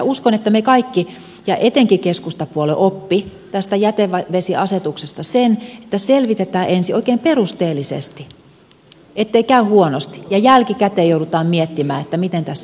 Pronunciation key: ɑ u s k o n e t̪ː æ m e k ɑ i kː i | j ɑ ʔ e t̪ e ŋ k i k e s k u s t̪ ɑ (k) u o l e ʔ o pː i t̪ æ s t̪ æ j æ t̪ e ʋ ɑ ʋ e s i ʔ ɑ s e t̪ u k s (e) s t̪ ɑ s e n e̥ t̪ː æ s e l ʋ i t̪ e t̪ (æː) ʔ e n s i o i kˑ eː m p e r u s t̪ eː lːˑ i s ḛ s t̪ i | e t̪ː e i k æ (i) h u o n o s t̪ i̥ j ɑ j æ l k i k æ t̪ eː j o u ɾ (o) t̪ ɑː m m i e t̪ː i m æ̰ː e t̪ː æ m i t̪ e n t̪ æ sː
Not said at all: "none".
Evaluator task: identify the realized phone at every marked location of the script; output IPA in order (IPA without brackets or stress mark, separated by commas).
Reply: p, e, æː, y, u